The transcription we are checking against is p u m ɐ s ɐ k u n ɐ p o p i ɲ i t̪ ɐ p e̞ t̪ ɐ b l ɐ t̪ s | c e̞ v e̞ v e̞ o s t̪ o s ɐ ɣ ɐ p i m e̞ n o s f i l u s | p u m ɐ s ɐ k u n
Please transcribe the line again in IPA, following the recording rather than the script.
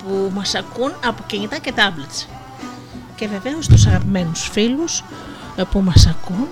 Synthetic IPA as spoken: p u m ɐ s ɐ k u n ɐ p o c i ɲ i t̪ ɐ c e̞ t̪ ɐ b l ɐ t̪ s | c e̞ v e̞ v e̞ o s t̪ u s ɐ ɣ ɐ p i m e̞ n u s f i l u s | p u m ɐ s ɐ k u n